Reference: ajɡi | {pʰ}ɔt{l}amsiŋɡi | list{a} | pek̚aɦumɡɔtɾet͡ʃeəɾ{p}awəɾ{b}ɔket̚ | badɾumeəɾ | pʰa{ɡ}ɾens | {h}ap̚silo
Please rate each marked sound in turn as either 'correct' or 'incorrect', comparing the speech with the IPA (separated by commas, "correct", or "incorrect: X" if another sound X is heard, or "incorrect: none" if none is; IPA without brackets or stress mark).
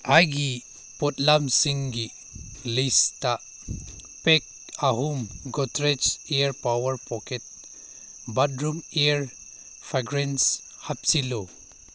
incorrect: p, correct, correct, correct, incorrect: p, correct, correct